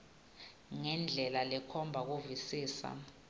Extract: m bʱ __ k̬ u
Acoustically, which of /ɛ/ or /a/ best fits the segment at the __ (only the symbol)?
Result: a